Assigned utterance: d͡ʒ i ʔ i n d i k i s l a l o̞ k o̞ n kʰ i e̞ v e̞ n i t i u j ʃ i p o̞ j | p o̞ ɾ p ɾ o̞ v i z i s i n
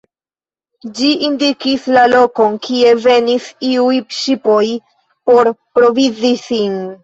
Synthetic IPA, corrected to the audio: d͡ʒ i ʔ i n d i k i s l a l o̞ k o̞ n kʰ i e̞ v e̞ n i s i u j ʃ i p o̞ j | p o̞ ɾ p ɾ o̞ v i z i s i n